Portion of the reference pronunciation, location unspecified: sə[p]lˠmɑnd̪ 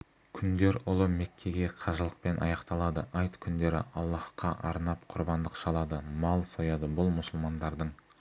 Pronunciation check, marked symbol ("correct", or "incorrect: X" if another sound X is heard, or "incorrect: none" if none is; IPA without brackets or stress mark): incorrect: none